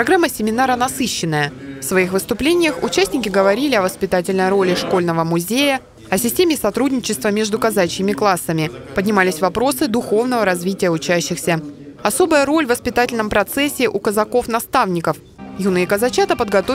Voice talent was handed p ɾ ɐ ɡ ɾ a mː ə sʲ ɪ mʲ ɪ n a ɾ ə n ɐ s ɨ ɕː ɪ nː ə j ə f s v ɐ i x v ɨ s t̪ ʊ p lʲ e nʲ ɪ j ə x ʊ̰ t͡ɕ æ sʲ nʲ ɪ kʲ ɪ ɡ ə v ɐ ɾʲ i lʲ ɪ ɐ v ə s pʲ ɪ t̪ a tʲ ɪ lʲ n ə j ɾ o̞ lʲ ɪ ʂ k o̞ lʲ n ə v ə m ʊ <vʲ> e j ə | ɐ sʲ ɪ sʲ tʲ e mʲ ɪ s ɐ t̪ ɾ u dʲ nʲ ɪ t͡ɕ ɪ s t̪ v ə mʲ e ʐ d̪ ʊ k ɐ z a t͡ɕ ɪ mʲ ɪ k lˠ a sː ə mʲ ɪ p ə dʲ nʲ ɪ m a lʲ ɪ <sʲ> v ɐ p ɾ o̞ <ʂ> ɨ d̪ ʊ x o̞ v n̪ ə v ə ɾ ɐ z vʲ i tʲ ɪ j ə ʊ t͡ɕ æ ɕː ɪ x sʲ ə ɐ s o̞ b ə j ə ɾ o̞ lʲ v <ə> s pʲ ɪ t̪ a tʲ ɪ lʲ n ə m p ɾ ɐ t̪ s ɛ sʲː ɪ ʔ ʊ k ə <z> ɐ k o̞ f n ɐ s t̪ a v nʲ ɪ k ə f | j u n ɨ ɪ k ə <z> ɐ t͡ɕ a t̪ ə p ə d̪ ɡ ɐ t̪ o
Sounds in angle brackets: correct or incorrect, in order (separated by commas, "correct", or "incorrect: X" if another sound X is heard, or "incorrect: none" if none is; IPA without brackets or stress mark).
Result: incorrect: zʲ, correct, incorrect: s, correct, correct, correct